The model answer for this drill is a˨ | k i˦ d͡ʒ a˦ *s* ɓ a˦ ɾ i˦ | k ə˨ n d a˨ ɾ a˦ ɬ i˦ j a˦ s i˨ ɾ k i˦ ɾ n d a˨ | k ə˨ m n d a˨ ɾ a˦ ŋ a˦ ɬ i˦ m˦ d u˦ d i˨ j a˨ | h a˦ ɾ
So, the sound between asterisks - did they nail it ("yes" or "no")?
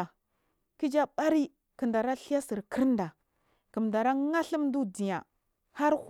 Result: no